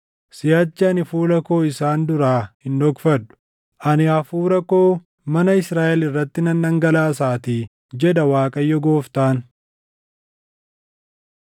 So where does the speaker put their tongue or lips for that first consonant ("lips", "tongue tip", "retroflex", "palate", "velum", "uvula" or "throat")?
tongue tip